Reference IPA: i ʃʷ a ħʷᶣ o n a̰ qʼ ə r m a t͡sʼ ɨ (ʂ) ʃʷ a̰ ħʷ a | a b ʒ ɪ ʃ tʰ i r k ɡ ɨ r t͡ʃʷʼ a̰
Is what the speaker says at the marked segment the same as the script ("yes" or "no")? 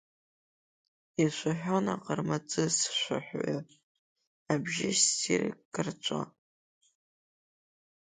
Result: no